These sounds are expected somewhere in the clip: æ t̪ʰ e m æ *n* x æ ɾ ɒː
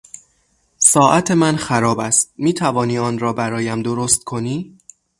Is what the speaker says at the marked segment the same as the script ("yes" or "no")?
yes